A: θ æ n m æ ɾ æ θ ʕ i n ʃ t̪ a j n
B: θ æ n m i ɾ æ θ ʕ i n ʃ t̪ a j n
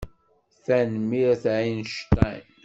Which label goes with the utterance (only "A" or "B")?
B